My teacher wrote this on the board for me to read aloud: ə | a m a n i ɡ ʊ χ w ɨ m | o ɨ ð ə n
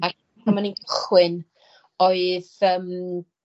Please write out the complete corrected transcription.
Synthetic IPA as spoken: a | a m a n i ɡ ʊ χ w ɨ n | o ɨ ð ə m